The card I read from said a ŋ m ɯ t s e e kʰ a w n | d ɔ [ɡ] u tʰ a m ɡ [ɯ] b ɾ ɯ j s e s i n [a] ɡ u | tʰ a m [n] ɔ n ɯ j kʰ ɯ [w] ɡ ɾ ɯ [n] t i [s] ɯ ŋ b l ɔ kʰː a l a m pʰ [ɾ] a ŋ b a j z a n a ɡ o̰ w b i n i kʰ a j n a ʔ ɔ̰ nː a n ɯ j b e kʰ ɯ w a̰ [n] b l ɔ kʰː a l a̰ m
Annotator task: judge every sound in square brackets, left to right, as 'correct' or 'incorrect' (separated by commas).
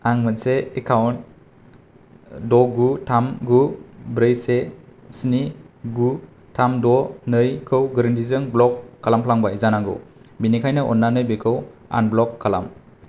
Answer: correct, incorrect, incorrect, incorrect, correct, correct, incorrect, incorrect, correct